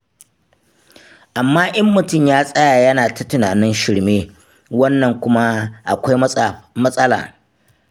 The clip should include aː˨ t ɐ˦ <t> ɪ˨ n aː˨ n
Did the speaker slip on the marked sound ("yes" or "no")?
no